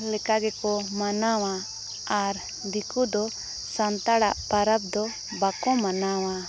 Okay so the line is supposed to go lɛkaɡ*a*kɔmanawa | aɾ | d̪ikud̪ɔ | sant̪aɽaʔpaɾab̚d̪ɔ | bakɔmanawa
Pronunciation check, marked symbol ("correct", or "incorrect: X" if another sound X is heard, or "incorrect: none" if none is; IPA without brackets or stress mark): incorrect: ɛ